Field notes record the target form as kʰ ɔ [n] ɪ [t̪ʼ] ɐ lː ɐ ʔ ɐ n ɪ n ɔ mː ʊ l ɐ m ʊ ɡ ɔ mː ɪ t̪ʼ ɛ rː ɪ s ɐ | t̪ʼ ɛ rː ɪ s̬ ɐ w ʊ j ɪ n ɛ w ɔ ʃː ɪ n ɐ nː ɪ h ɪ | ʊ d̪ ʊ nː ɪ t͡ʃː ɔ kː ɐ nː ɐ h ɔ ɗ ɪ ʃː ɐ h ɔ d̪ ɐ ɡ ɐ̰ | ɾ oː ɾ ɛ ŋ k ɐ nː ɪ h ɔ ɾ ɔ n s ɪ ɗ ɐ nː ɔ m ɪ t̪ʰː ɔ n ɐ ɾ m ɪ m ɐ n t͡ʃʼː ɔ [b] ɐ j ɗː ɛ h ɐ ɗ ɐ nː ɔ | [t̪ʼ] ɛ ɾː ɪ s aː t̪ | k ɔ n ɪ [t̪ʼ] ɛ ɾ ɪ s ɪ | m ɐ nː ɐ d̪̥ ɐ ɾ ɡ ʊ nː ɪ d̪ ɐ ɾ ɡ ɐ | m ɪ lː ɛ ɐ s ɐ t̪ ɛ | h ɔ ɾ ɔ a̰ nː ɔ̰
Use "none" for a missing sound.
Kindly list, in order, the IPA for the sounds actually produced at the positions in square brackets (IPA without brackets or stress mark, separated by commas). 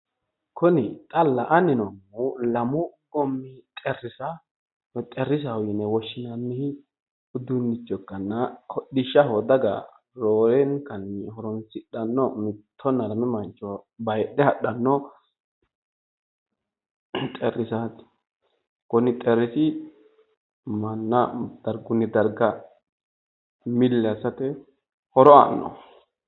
n, t̪ʼ, b, t̪ʼ, t̪ʼ